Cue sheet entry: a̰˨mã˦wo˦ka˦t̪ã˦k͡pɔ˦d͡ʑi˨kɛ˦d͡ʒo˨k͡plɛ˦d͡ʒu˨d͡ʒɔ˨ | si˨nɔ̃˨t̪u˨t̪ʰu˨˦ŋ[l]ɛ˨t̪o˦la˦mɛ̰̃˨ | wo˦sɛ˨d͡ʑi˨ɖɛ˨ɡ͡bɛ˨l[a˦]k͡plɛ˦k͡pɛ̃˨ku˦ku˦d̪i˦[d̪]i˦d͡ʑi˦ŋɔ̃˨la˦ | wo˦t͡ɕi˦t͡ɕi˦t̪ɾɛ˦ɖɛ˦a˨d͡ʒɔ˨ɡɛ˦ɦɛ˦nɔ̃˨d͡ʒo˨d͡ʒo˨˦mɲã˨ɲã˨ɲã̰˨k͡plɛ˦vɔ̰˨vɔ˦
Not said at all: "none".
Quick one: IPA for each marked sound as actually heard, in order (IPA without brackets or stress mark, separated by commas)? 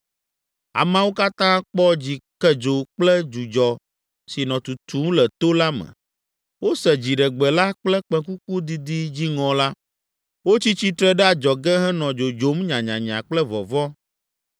l, a˦, d̪